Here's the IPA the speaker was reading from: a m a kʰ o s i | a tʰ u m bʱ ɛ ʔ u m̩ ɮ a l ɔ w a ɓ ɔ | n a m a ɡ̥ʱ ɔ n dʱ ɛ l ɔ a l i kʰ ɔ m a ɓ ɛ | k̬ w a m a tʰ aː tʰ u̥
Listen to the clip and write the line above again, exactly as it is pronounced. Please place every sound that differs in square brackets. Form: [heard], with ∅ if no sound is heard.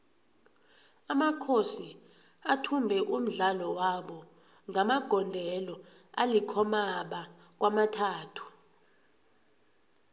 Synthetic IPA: a m a kʰ o s i | a tʰ u m bʱ ɛ ʔ u m̩ ɮ a l ɔ w a ɓ ɔ | [ŋ] a m a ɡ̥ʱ ɔ n dʱ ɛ l ɔ a l i kʰ ɔ m a ɓ [a] | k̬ w a m a tʰ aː tʰ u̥

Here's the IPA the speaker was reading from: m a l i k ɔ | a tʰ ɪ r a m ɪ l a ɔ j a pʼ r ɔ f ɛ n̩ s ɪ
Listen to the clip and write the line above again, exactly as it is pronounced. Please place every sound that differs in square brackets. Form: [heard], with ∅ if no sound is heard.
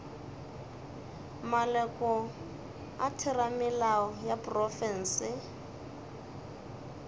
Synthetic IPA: m a l [ɛ] k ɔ | a tʰ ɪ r a m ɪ l a ɔ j a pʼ r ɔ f ɛ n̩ s ɪ

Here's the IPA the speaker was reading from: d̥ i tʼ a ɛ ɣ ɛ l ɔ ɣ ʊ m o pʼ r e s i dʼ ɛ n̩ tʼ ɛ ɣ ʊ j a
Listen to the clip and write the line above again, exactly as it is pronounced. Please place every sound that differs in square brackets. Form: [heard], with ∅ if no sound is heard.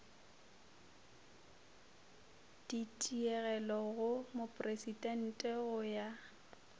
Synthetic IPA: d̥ i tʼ [i] ɛ ɣ ɛ l ɔ ɣ ʊ m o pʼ r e s i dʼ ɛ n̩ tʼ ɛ ɣ ʊ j a

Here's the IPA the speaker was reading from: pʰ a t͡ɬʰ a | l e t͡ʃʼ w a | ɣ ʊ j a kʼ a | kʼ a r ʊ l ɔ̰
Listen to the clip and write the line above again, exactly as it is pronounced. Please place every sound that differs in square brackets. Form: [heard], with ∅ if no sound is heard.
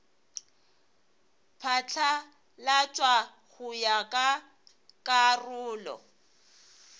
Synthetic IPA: pʰ a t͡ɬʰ a | l [a] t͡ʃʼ w a | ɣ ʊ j a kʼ a | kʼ a r [ʊː] l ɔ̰

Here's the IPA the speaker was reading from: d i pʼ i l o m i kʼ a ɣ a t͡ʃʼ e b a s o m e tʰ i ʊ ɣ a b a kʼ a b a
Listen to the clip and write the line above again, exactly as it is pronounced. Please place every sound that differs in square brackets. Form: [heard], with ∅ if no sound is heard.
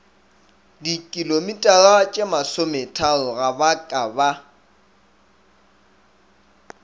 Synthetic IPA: d i [kʼ] i l o m i [tʼ] a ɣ a t͡ʃʼ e [m] a s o m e tʰ [a] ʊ ɣ a b a kʼ a b a

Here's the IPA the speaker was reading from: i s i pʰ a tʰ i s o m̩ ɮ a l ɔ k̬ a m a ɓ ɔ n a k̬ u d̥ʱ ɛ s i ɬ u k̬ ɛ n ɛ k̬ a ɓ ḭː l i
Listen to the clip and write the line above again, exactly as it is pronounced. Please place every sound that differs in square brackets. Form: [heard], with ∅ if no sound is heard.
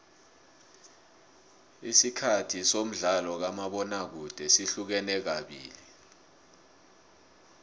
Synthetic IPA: i s i [kʰ] a tʰ i s o m̩ ɮ a l ɔ k̬ a m a ɓ ɔ n a k̬ u d̥ʱ ɛ s i ɬ u k̬ ɛ n ɛ k̬ a ɓ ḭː l i

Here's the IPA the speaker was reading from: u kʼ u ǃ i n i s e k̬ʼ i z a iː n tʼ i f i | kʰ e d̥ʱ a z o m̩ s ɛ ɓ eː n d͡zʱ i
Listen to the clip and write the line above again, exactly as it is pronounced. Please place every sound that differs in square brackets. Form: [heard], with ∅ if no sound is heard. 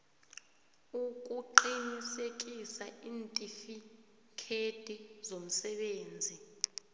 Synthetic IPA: u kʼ u ǃ i n i s e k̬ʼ i [s] a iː n tʼ i f i | kʰ e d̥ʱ [i] z o m̩ s ɛ ɓ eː n d͡zʱ i

